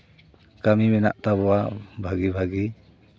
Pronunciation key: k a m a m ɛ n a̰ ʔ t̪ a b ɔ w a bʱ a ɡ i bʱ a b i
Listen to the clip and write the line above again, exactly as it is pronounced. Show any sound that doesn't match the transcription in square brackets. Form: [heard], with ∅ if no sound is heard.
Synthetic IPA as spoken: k a m [i] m ɛ n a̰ ʔ t̪ a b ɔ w a bʱ a ɡ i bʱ a [ɡ] i